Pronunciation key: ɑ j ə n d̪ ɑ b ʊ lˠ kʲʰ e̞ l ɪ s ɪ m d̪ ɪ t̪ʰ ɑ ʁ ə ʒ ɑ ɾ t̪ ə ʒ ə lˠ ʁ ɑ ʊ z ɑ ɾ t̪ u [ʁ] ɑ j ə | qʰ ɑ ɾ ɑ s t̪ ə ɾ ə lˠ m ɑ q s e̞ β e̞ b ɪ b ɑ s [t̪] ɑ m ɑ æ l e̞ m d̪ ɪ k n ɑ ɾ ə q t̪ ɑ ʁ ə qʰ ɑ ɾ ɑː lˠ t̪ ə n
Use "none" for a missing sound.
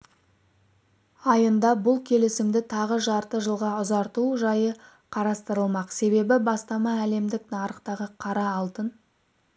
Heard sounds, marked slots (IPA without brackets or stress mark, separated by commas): ʒ, t̪